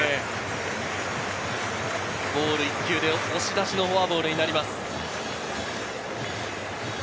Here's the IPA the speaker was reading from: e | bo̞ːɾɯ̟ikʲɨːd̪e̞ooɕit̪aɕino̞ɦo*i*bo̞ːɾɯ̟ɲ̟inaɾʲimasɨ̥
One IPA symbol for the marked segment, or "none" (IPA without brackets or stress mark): a